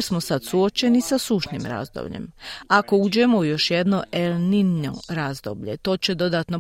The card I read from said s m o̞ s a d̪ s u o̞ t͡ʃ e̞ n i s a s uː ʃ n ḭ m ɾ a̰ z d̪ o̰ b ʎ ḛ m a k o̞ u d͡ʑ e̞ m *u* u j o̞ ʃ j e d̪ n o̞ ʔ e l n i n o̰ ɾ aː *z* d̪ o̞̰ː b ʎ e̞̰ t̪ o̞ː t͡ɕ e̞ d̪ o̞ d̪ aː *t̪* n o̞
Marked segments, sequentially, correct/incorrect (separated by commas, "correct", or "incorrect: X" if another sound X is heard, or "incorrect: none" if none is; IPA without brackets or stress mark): incorrect: o, correct, correct